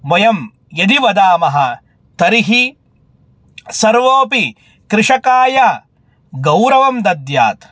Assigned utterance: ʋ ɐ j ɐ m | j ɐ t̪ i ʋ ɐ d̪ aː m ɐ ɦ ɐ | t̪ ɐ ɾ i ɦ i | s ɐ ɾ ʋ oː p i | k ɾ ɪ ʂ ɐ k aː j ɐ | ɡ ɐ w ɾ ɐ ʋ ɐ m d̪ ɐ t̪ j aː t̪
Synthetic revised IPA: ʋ ɐ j ɐ m | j ɐ d̪ i ʋ ɐ d̪ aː m ɐ ɦ ɐ | t̪ ɐ ɾ i ɦ i | s ɐ ɾ ʋ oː p i | k ɾ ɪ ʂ ɐ k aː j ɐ | ɡ ɐ w ɾ ɐ ʋ ɐ m d̪ ɐ d̪ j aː t̪